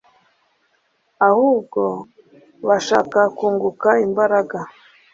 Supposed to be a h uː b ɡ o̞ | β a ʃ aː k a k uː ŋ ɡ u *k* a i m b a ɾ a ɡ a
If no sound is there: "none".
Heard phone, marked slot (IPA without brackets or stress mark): k